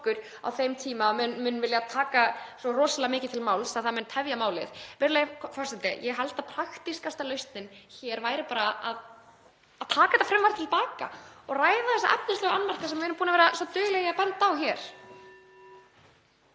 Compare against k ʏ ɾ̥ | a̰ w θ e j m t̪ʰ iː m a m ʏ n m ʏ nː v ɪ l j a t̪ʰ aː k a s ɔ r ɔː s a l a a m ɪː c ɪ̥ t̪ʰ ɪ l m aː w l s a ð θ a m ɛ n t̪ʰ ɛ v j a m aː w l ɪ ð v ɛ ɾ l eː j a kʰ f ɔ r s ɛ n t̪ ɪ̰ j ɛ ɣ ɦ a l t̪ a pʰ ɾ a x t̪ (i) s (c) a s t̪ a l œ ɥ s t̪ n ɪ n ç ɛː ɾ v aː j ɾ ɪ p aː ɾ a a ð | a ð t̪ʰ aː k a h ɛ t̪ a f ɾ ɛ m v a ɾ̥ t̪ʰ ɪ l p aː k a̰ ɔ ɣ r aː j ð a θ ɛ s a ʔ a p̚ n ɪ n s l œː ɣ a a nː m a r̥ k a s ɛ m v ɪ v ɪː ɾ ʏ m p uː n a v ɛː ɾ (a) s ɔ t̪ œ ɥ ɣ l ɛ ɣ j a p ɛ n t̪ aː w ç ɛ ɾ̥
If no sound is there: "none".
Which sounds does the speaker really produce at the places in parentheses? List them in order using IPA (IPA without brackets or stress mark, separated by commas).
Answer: i, k, a